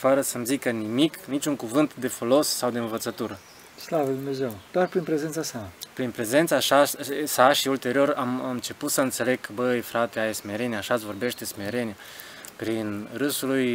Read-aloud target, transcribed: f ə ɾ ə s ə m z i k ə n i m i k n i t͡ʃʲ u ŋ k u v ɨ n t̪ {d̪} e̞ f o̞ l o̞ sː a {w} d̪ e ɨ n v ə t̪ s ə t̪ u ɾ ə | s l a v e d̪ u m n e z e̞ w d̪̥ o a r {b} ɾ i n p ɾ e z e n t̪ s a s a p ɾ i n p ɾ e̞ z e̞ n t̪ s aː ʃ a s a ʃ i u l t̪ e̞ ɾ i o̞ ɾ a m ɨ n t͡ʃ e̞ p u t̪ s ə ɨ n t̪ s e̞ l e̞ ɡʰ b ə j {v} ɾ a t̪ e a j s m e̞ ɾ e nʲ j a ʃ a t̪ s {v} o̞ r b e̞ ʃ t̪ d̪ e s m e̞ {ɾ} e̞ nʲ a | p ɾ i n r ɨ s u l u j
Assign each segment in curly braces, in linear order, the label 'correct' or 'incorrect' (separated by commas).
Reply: correct, correct, incorrect, incorrect, correct, correct